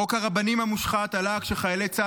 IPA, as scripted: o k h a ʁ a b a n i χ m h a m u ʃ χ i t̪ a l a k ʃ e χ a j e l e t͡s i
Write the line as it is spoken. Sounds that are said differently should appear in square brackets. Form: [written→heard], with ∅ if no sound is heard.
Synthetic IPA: o k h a ʁ a b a n i [χ→∅] m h a m u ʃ χ [i→a] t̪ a l a k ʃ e χ a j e l e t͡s [i→a]

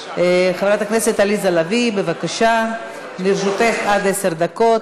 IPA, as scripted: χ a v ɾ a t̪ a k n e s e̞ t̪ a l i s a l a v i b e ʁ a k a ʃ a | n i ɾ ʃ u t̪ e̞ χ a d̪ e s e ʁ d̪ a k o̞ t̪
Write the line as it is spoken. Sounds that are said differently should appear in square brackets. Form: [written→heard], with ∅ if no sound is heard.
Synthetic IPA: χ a v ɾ a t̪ a k n e s e̞ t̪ a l i [s→z] a l a v i b e [ʁ→v] a k a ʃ a | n i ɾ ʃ u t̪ e̞ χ a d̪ e s e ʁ d̪ a k o̞ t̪

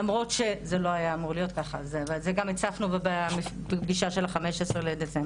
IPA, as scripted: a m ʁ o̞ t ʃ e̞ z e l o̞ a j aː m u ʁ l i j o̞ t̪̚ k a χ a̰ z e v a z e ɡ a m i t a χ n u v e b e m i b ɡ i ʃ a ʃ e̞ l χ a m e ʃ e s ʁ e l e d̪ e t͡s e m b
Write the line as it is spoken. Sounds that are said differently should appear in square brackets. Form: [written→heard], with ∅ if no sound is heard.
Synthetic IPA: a m ʁ o̞ t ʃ e̞ z e l o̞ a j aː m u ʁ l i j o̞ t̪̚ k a χ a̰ z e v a z e ɡ a m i [t→t͡s] a [χ→f] n u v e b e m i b ɡ i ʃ a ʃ e̞ l χ a m e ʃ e s ʁ e l e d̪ e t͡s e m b

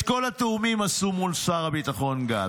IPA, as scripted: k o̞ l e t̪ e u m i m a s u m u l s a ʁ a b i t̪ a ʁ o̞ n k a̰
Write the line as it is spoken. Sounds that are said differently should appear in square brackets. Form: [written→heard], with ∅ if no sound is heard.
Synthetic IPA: k o̞ l [e→a] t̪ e u m i m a s u m u l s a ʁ a b i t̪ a [ʁ→χ] o̞ n [k→ɡ] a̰

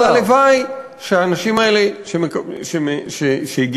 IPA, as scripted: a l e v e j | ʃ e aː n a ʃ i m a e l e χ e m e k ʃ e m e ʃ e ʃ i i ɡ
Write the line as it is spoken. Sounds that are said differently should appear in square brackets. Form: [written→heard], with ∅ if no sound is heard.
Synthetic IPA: a l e v [e→a] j | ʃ e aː n a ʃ i m a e l e [χ→ʃ] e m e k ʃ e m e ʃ e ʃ [i→e] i ɡ

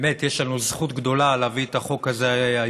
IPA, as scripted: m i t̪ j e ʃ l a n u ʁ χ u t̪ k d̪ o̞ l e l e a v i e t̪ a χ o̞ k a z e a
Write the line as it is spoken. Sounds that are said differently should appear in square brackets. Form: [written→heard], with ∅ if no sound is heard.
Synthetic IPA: m [i→e] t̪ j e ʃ l a n u [ʁ→z] χ u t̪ [k→ɡ] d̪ o̞ l [e→a] l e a v i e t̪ a χ o̞ k a z e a

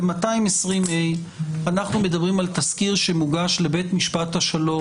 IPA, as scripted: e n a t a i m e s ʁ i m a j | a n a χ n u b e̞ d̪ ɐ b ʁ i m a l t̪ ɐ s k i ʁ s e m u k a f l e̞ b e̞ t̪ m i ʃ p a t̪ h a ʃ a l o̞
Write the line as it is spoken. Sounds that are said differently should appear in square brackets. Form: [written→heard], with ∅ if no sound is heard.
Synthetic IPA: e [n→m] a t a i m e s ʁ i m [a→e] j | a n a χ n u [b→m] e̞ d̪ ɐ b ʁ i m a l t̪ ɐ s k i ʁ [s→ʃ] e m u [k→ɡ] a [f→ʃ] l e̞ b e̞ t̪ m i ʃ p a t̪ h a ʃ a l o̞

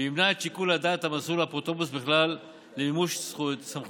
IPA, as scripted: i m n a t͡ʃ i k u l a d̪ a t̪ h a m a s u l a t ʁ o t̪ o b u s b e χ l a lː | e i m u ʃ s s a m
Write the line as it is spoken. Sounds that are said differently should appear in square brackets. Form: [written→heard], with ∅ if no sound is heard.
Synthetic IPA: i m n a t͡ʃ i k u l a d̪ a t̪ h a m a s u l a [t→p] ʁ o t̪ o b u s b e χ l a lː | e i m u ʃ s s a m

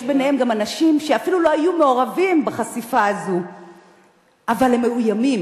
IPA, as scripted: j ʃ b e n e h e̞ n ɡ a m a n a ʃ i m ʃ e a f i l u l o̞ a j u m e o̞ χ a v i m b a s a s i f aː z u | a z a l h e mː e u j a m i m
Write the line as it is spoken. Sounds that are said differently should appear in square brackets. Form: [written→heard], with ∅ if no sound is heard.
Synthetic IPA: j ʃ b e n e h e̞ [n→m] ɡ a m a n a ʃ i m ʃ e a f i l u l o̞ a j u m e o̞ [χ→ʁ] a v i m b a [s→χ] a s i f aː z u | a [z→v] a l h e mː e u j a m i m

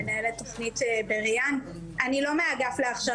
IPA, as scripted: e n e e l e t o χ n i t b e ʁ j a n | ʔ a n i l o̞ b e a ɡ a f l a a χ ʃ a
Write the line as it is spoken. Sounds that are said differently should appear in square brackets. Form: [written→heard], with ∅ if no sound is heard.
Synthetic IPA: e n [e→a] e l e t o χ n i t b e ʁ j a n | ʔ a n i l o̞ [b→m] e a ɡ a f l [a→e] a χ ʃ a

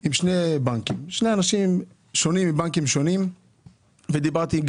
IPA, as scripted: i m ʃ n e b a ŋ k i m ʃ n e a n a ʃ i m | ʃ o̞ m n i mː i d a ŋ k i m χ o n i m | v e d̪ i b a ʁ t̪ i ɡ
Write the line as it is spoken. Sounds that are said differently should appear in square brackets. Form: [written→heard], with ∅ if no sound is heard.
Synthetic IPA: i m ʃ n e b a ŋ k i m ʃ n e a n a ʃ i m | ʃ o̞ [m→∅] n i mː i [d→b] a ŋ k i m [χ→ʃ] o n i m | v e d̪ i b a ʁ t̪ i ɡ

